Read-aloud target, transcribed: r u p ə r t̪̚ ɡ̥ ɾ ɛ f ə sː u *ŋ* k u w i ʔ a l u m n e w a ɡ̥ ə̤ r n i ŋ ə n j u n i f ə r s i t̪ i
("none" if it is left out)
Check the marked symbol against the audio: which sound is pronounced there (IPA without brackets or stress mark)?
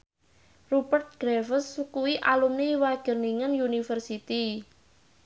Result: none